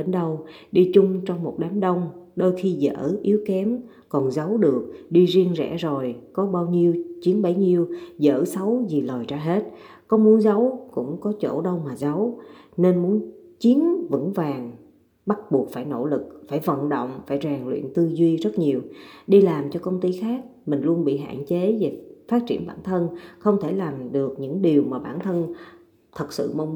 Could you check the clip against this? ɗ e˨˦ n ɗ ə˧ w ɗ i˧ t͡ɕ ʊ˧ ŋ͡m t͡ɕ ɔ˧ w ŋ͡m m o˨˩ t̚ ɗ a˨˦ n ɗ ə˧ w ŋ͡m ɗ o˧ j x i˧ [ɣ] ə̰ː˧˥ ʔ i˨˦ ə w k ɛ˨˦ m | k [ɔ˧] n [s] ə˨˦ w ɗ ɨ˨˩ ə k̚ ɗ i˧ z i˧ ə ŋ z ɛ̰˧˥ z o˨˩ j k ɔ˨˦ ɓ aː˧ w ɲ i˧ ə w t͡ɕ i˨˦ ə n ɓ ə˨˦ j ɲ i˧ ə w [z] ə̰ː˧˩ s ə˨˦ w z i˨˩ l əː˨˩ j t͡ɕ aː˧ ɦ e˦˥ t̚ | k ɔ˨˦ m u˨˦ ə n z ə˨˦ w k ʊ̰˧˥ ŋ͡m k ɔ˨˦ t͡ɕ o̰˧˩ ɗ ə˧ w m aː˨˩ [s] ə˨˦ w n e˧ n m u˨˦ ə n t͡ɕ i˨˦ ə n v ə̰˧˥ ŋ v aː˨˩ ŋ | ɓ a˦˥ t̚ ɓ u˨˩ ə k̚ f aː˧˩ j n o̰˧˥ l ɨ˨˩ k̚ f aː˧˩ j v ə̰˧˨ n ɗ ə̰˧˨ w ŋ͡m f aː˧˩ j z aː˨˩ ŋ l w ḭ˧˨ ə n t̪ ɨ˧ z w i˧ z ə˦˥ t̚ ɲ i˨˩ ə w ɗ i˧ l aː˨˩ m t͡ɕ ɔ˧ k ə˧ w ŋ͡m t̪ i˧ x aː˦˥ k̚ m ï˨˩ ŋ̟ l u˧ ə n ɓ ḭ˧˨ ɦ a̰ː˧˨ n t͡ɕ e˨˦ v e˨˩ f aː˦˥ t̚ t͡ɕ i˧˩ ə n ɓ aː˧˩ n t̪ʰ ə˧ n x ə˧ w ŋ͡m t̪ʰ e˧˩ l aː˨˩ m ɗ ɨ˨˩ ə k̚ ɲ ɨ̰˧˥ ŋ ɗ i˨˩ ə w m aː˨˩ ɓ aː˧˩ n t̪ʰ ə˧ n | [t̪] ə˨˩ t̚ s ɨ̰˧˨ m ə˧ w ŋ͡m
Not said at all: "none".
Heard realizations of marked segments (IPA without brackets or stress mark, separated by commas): z, ɔ˨˩, z, z, z, t̪ʰ